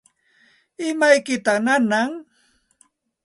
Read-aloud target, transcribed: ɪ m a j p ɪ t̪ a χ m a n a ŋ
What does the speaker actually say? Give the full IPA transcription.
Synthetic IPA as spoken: ɪ m a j k ɪ t̪ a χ n a n a ŋ